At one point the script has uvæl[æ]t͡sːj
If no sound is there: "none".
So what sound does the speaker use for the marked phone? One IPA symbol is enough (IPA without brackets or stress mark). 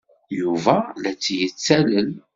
æ